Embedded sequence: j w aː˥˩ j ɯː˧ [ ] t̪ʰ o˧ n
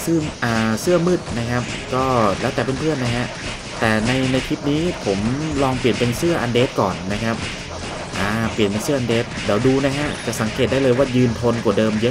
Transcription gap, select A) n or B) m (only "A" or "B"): A